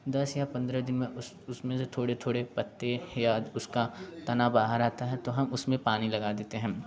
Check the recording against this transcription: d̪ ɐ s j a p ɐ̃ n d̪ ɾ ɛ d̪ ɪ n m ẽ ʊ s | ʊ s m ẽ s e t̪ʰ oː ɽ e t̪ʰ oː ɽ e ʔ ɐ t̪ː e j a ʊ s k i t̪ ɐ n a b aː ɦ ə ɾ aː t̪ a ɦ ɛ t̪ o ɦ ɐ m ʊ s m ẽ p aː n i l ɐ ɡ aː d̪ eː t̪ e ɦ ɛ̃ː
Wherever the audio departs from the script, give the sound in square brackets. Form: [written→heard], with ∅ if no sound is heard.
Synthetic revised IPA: d̪ ɐ s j a p ɐ̃ n d̪ ɾ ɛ d̪ ɪ n m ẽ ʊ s | ʊ s m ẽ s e t̪ʰ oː ɽ e t̪ʰ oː ɽ e [ʔ→p] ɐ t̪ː e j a ʊ s k [i→a] t̪ ɐ n a b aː ɦ ə ɾ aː t̪ a ɦ ɛ t̪ o ɦ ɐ m ʊ s m ẽ p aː n i l ɐ ɡ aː d̪ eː t̪ e ɦ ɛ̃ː